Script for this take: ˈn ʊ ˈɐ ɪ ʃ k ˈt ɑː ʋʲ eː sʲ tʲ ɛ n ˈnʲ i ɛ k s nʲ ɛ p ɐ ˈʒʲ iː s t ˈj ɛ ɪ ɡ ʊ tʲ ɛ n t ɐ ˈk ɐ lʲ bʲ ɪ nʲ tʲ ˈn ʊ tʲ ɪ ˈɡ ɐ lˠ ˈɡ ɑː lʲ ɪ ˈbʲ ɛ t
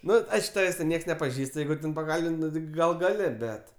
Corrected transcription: ˈn ʊ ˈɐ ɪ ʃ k ˈt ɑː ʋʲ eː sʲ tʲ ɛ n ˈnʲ i ɛ k s nʲ ɛ p ɐ ˈʒʲ iː s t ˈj ɛ ɪ ɡ ʊ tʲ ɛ n p ɐ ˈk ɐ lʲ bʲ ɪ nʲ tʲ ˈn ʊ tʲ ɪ ˈɡ ɐ lˠ ˈɡ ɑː lʲ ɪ ˈbʲ ɛ t